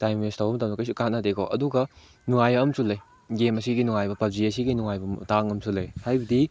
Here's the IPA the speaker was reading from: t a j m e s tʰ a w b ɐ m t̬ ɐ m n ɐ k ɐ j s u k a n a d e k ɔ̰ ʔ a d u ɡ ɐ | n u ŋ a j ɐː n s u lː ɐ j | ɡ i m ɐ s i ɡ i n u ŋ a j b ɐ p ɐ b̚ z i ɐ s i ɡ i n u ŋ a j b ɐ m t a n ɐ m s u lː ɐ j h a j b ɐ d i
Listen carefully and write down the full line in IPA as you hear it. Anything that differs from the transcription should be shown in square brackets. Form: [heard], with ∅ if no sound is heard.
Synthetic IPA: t a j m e s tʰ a w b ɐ m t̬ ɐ m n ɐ k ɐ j s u k a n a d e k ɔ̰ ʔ [ɐ] d u ɡ ɐ | n u ŋ a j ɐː [m] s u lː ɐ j | ɡ [e] m ɐ s i ɡ i n u ŋ a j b ɐ p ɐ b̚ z i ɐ s i ɡ i n u ŋ a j b ɐ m t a [ŋ] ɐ m s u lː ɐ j h a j b ɐ d i